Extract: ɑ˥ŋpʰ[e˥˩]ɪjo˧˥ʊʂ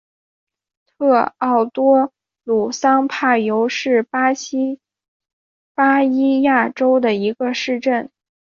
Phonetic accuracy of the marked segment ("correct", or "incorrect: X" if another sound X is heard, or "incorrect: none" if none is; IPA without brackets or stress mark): incorrect: a˥˩